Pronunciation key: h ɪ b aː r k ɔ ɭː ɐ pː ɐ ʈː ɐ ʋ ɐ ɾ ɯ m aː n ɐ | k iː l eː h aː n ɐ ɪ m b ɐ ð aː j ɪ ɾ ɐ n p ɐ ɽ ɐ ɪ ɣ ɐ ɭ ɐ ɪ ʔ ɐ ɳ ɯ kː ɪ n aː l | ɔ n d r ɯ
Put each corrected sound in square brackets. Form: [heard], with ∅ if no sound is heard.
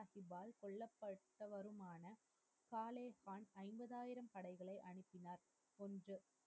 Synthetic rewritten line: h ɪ b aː [l] k ɔ ɭː ɐ pː ɐ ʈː ɐ ʋ ɐ ɾ ɯ m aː n ɐ | k [aː] l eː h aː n ɐ ɪ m b ɐ ð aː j ɪ ɾ ɐ [m] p ɐ ɽ ɐ ɪ ɣ ɐ ɭ ɐ ɪ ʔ ɐ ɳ ɯ [pː] ɪ n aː [ɾ] | ɔ n d r ɯ